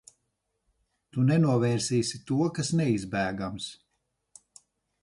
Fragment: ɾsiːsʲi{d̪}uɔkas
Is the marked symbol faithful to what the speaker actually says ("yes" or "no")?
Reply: no